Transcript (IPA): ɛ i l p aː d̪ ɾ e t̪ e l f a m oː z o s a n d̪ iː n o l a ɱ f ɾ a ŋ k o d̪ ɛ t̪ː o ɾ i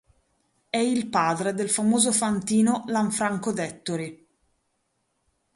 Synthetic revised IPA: ɛ i l p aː d̪ ɾ e d̪ e l f a m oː z o f a n t̪ iː n o l a ɱ f ɾ a ŋ k o d̪ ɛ t̪ː o ɾ i